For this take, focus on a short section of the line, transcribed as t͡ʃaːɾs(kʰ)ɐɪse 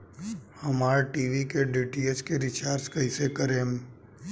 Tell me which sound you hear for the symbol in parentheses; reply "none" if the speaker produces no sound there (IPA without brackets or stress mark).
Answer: k